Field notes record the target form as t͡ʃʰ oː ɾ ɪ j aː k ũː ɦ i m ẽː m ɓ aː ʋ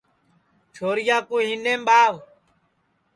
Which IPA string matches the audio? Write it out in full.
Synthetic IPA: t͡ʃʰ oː ɾ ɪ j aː k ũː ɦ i n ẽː m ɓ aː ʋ